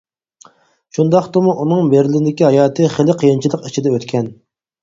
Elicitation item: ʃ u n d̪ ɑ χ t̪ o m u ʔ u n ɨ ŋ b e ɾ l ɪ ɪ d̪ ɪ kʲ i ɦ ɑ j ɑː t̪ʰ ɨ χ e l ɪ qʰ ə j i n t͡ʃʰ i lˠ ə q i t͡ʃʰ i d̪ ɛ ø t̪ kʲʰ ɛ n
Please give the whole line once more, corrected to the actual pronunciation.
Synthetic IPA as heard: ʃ u n d̪ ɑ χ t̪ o m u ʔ u n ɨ ŋ b e ɾ l ɪ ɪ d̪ ɪ kʲ i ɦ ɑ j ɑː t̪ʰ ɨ χ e l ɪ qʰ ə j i n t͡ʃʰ i lˠ ə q i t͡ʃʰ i d̪ ɛ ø t̪ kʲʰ ɛ n